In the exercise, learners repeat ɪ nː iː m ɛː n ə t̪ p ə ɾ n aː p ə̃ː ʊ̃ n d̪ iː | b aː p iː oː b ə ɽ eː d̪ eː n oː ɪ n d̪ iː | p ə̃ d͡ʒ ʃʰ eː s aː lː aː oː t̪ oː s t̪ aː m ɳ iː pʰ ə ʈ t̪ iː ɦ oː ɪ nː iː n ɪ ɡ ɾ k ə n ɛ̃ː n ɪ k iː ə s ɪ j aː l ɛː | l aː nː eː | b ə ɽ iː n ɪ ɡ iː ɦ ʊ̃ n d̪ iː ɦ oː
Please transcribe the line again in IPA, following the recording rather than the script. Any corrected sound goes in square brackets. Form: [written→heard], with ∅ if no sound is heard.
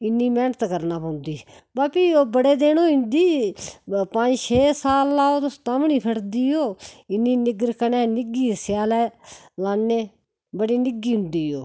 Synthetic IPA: ɪ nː iː m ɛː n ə t̪ [p→k] ə ɾ n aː p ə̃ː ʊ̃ n d̪ iː | b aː p iː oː b ə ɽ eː d̪ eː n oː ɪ n d̪ iː | p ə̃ d͡ʒ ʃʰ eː s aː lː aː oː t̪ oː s t̪ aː m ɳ iː pʰ ə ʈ [t̪→d̪] iː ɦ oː ɪ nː iː n ɪ ɡ ɾ k ə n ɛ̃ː n ɪ [k→ɡ] iː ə s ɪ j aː l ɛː | l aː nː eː | b ə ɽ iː n ɪ ɡ iː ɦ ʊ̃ n d̪ iː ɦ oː